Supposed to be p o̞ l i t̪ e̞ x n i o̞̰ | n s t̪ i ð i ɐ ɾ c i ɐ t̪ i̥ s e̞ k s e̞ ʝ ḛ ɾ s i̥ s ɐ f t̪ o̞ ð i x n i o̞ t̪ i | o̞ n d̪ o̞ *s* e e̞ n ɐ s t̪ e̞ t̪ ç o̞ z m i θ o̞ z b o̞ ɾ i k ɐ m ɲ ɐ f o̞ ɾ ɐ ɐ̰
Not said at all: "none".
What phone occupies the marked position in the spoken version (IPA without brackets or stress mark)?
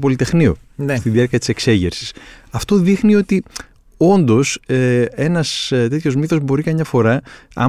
s